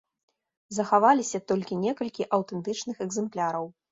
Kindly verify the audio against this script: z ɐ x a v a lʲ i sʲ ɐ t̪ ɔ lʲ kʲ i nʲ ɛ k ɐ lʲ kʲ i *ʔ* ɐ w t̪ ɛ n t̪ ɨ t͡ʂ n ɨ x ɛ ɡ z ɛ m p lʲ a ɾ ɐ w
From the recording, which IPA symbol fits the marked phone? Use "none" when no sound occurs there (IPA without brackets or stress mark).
ʔ